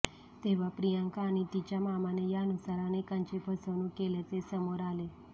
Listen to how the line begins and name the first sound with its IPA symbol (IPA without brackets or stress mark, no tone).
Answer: t̪